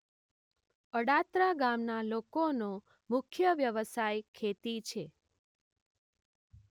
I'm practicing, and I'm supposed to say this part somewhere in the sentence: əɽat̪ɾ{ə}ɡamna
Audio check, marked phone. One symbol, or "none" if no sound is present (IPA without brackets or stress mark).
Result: a